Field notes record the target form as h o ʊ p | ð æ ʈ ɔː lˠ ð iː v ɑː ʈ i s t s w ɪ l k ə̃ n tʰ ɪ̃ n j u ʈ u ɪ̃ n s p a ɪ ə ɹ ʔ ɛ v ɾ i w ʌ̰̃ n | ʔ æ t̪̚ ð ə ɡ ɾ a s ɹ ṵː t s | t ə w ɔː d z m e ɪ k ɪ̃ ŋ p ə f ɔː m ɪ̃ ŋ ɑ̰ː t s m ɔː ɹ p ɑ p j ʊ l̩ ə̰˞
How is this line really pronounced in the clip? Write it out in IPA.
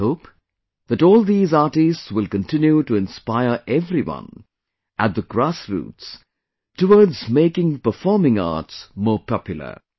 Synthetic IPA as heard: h o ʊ p | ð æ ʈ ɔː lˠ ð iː z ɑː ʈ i s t s w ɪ l k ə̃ n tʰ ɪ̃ n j u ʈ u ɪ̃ n s p a ɪ ə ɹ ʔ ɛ v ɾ i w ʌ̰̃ n | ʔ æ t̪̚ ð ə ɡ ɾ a s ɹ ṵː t s | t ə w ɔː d z m e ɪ k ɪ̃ ŋ p ə f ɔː m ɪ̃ ŋ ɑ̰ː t s m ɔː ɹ p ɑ p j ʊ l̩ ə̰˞